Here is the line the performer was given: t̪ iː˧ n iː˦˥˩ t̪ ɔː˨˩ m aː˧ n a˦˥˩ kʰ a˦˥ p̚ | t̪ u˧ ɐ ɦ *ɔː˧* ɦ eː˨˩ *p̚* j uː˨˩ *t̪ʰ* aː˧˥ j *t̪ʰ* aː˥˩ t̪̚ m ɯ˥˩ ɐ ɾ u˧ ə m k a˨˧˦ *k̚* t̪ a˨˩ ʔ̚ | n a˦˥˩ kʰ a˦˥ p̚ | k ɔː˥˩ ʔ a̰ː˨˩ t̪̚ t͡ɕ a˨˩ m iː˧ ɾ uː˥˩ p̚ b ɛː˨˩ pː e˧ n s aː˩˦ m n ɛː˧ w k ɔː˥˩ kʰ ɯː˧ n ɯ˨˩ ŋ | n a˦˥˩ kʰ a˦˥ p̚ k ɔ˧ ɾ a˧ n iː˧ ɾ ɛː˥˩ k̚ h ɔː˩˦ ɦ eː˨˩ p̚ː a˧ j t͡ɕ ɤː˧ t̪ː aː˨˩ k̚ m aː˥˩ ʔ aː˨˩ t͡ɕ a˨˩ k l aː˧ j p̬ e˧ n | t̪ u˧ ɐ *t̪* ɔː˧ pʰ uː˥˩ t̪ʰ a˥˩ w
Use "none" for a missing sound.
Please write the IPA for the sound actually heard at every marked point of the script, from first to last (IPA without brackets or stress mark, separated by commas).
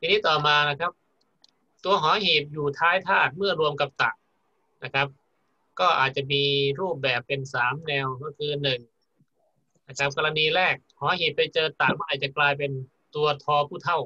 ɔː˩˦, p̚, t̪ʰ, t̪ʰ, p̚, t̪ʰ